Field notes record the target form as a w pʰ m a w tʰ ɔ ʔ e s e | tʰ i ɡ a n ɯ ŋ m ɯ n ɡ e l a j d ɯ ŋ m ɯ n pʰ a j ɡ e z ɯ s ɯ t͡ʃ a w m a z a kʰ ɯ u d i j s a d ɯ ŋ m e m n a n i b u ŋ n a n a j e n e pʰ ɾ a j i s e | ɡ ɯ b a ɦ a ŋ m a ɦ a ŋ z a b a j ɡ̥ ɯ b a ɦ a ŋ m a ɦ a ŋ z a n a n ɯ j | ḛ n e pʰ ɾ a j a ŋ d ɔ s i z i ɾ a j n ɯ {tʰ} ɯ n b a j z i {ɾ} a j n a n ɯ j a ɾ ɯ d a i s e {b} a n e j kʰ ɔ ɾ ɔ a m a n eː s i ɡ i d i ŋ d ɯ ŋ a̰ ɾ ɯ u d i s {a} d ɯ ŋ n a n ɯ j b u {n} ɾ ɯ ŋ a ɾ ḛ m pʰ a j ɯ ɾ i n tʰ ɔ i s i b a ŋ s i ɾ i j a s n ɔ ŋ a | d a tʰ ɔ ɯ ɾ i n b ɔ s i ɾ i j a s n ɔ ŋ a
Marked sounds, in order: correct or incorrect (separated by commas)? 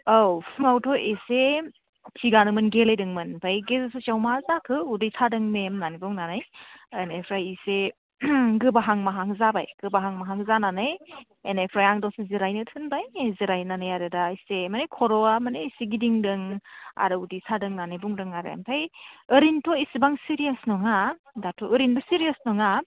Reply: correct, correct, incorrect, correct, incorrect